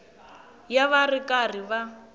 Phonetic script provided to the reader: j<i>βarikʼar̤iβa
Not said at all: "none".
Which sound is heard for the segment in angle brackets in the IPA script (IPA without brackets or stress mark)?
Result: a